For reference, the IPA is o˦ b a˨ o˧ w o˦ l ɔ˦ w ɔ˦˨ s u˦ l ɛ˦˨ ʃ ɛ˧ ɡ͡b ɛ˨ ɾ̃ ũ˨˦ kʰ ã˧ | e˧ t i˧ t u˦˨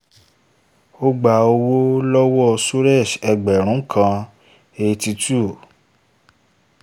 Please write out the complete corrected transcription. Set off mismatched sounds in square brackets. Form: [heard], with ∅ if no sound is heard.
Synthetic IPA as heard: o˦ [ɡ͡b] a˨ o˧ w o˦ l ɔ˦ w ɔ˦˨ s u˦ [ɾ] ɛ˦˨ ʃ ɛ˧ ɡ͡b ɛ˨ ɾ̃ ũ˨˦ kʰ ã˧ | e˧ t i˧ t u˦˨